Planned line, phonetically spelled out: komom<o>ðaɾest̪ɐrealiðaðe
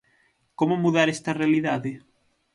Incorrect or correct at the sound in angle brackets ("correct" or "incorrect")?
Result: incorrect